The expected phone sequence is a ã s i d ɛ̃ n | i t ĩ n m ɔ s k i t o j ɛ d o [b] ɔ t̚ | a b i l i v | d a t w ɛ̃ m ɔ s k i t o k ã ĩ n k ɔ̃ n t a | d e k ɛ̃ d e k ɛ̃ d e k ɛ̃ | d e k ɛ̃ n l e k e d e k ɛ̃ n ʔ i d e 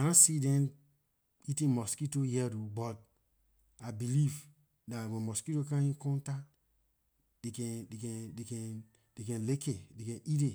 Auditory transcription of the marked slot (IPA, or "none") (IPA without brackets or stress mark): b